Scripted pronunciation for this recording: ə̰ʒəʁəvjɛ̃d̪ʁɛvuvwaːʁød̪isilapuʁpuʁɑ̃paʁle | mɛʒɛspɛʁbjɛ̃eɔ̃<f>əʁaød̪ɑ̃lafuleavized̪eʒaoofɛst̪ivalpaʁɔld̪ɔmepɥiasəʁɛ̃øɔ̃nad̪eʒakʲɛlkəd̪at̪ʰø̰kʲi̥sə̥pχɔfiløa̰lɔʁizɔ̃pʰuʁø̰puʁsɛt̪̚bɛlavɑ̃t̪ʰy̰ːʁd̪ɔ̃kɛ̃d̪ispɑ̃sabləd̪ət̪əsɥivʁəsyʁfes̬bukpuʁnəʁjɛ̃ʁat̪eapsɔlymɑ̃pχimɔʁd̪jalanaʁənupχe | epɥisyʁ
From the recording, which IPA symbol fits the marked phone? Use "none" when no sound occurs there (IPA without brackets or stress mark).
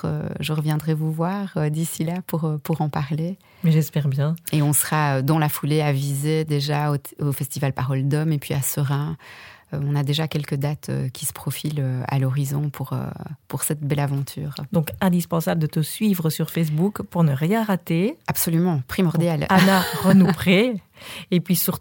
s